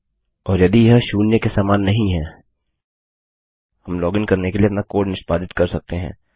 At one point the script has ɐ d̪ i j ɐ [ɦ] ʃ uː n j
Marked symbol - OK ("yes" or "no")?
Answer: yes